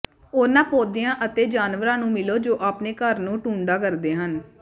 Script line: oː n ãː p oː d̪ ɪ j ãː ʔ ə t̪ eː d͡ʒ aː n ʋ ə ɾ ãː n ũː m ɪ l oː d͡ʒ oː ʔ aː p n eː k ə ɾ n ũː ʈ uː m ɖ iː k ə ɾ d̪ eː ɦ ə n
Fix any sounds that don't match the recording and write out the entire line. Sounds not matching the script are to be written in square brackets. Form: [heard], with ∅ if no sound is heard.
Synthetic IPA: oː n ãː p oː d̪ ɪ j ãː ʔ ə t̪ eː d͡ʒ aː n ʋ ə ɾ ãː n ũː m ɪ l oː d͡ʒ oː ʔ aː p n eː k ə ɾ n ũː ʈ uː [ɳ] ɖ [aː] k ə ɾ d̪ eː ɦ ə n